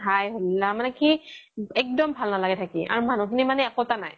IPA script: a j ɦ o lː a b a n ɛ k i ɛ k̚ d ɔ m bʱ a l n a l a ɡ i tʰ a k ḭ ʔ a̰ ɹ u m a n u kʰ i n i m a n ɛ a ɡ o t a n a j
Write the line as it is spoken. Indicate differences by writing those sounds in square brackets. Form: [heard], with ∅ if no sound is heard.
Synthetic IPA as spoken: a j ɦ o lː a [m] a n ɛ k i ɛ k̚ d ɔ m bʱ a l n a l a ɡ [ɛ] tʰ a k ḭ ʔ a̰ ɹ u m a n u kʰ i n i m a n ɛ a [k] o t a n a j

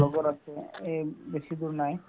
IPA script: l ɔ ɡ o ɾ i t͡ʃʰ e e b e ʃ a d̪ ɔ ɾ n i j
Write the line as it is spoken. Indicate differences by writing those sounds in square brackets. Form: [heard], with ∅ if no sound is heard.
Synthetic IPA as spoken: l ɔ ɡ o ɾ [a] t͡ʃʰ e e b e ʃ [i] d̪ [u] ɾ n [a] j

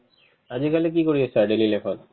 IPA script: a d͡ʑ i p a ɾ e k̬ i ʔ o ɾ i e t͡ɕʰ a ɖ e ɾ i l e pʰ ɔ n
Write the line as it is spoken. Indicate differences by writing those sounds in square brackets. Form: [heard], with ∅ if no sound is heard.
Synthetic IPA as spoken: a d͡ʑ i [k] a [l] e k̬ i [k] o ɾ i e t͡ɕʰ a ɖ e [l] i l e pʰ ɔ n

